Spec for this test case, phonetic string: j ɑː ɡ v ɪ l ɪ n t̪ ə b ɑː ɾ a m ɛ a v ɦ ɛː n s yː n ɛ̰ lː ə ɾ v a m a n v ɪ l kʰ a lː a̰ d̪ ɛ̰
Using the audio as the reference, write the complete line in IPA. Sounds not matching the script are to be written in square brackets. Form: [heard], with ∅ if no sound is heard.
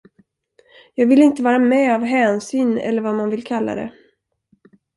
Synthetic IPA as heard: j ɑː ɡ v ɪ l ɪ n t̪ ə [v] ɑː ɾ a m ɛ a v ɦ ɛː n s yː n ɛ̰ lː ə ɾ v a m a n v ɪ l kʰ a lː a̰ d̪ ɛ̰